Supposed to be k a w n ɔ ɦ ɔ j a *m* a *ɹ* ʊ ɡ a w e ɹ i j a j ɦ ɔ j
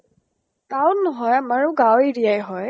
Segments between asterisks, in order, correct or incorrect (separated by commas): correct, correct